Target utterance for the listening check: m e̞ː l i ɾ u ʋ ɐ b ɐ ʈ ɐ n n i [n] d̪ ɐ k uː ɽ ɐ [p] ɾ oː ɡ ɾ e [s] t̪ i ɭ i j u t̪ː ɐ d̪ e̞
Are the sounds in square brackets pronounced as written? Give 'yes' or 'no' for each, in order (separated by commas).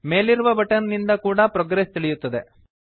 yes, yes, yes